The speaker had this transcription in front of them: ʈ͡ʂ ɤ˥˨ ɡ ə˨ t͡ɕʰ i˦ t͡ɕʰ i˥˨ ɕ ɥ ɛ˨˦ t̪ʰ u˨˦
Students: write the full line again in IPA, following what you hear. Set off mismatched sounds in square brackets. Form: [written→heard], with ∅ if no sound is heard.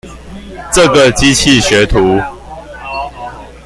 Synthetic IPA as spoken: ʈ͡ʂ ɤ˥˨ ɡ ə˨ [t͡ɕʰ→t͡ɕ] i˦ t͡ɕʰ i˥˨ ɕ ɥ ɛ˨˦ t̪ʰ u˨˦